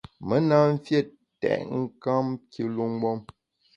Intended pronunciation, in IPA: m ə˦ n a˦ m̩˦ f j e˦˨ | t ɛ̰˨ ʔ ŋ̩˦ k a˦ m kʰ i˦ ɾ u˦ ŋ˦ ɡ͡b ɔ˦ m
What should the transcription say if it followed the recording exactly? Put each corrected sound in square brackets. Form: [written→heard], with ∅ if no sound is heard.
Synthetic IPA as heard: m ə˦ n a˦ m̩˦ f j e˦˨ | t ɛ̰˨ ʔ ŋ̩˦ k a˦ m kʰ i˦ [ɾ→l] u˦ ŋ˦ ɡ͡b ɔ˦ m